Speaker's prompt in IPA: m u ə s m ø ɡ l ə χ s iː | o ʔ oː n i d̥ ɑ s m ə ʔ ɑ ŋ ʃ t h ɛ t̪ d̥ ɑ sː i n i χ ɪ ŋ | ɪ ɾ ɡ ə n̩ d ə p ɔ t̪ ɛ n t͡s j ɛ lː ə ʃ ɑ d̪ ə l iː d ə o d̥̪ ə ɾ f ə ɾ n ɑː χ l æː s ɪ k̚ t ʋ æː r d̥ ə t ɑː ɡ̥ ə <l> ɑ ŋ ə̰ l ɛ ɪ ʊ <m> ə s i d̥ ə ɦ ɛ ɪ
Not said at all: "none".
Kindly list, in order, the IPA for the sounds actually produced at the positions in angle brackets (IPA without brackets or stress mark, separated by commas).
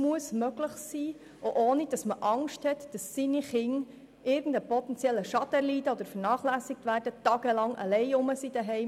l, m